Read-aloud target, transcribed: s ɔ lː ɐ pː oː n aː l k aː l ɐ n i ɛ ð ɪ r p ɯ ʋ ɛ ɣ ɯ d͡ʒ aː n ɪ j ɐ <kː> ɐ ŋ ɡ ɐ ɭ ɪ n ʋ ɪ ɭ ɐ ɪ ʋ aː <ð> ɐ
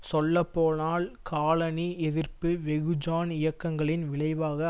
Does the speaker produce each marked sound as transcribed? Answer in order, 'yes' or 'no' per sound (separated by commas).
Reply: yes, no